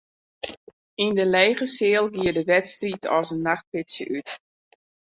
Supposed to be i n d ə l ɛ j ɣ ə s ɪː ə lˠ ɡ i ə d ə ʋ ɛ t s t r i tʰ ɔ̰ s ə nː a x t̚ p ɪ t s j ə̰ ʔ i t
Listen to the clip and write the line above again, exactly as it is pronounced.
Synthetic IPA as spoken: i n d ə l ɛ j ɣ ə s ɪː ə lˠ ɡ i ə d ə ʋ ɛ t s t r i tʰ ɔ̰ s ə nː a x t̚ p ɪ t s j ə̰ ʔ y t